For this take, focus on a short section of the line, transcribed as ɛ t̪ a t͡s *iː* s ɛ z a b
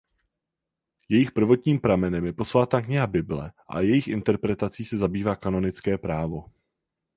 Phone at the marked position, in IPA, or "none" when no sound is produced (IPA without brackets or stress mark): iː